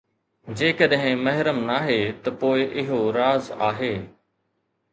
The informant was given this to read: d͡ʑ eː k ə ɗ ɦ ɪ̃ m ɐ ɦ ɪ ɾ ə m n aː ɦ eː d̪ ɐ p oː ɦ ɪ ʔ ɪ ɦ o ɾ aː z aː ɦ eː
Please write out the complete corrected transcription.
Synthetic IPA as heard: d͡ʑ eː k ə ɗ ɦ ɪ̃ m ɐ ɦ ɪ ɾ ə m n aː ɦ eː t̪ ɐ p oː ɪ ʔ ɪ ɦ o ɾ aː z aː ɦ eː